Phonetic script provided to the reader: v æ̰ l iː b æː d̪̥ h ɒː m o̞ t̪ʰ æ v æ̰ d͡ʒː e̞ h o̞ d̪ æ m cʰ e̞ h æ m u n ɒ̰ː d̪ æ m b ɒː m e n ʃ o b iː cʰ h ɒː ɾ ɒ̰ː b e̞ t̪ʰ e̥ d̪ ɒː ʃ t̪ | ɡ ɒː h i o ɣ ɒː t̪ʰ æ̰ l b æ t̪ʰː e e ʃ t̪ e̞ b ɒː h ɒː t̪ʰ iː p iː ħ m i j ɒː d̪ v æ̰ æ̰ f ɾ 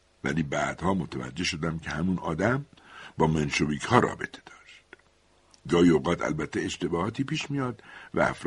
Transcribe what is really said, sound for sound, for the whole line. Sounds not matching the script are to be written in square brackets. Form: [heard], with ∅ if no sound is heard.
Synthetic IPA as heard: v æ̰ l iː b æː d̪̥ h ɒː m o̞ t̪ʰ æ v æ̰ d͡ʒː e̞ [ʃ] o̞ d̪ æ m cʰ e̞ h æ m u n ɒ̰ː d̪ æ m b ɒː m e n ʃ o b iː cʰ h ɒː ɾ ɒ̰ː b e̞ t̪ʰ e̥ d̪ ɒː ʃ t̪ | ɡ ɒː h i o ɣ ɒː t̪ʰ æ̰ l b æ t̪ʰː e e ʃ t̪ e̞ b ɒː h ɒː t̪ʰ iː p iː [ʃ] m i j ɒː d̪ v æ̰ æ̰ f ɾ